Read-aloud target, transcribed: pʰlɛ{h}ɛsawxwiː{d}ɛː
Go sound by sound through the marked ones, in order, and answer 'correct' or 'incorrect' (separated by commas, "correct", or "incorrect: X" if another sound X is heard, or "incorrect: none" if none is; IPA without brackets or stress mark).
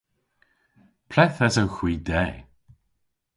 incorrect: θ, correct